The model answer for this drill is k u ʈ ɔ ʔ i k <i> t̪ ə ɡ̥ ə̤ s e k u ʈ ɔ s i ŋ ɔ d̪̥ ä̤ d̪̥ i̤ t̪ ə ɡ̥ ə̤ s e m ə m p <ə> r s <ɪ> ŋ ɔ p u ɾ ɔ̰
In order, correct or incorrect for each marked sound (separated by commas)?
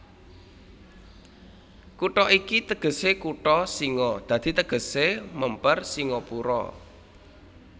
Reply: correct, correct, incorrect